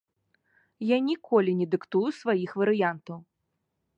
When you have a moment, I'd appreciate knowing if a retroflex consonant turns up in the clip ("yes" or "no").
no